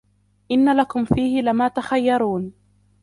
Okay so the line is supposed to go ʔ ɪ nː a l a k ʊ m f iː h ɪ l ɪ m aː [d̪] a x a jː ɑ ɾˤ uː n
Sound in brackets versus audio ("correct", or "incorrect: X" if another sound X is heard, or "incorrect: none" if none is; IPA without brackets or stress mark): incorrect: t̪